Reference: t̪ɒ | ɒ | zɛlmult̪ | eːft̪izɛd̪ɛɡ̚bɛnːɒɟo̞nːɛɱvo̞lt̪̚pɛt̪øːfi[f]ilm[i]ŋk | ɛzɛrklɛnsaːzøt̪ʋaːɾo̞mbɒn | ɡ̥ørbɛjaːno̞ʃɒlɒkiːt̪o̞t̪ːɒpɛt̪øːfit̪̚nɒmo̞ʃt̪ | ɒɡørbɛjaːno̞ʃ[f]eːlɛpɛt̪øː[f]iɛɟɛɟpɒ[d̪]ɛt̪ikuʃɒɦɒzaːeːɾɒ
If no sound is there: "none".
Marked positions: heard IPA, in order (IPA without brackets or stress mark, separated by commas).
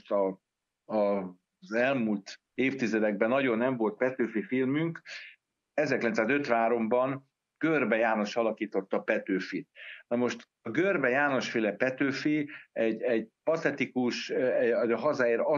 f, y, f, f, t̪